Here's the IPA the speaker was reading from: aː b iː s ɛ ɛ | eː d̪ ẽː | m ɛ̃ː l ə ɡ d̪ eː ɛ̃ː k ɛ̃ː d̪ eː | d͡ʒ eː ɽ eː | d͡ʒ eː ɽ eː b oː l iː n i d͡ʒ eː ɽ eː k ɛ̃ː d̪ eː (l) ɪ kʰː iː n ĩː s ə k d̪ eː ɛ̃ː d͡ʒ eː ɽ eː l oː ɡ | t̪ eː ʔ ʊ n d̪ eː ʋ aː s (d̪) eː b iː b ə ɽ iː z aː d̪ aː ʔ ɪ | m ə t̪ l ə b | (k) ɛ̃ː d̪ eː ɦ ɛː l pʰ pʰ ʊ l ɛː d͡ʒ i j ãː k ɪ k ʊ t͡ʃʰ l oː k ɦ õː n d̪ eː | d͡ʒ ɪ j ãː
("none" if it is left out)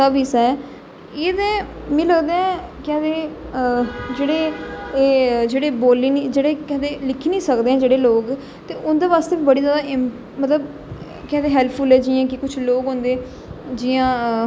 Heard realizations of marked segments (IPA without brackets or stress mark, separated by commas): l, t̪, k